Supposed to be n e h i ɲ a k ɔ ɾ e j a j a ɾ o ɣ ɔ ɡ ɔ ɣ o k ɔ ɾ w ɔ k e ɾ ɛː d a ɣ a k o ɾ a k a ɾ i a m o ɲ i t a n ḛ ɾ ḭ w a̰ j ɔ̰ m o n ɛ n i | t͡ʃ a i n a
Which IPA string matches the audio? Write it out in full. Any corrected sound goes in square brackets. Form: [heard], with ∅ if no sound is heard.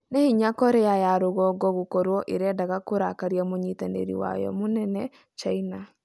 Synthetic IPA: n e h i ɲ a k ɔ ɾ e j a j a ɾ o ɣ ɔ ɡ ɔ ɣ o k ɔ ɾ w ɔ [ʔ] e ɾ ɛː d a ɣ a k o ɾ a k a ɾ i a m o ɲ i t a n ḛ ɾ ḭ w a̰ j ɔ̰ m o n ɛ n [ɛ] | t͡ʃ a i n a